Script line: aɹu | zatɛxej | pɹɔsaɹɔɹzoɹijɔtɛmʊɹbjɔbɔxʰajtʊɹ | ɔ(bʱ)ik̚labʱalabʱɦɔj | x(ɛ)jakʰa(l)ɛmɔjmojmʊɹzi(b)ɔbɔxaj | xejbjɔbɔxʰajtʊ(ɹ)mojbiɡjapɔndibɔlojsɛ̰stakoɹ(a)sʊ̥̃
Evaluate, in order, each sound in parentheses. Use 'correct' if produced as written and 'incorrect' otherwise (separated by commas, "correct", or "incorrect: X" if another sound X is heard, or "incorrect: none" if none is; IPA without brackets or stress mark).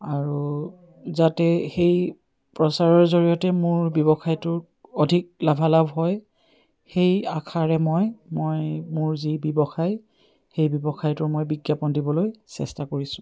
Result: incorrect: dʱ, incorrect: e, incorrect: ɹ, correct, correct, incorrect: i